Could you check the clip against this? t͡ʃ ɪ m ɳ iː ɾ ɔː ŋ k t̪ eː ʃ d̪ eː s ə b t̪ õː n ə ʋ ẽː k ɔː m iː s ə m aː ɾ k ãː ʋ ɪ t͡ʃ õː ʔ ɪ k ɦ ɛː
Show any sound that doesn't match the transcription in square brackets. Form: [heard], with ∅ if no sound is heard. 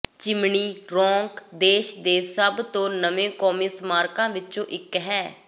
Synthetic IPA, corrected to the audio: t͡ʃ ɪ m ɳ iː ɾ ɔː ŋ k [d̪] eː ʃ d̪ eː s ə b t̪ õː n ə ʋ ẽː k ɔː m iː s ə m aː ɾ k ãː ʋ ɪ t͡ʃ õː ʔ ɪ k ɦ ɛː